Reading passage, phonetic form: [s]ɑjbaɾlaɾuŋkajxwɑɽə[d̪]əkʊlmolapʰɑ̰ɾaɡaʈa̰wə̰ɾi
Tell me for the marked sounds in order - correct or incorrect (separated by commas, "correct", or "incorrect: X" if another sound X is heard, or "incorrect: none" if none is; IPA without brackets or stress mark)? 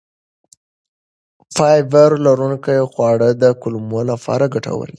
incorrect: f, correct